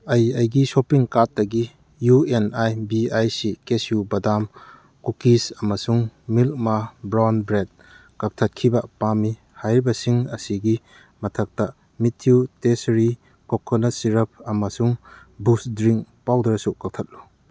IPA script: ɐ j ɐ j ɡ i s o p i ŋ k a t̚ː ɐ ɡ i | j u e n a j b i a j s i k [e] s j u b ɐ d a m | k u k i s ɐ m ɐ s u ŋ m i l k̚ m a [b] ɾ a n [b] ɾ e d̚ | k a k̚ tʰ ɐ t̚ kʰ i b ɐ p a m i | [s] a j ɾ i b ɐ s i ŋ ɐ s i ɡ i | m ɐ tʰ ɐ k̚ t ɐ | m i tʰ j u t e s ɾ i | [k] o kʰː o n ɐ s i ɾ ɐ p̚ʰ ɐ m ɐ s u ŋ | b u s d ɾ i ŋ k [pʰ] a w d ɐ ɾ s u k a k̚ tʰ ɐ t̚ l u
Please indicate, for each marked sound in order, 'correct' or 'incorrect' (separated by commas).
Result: correct, correct, correct, incorrect, correct, incorrect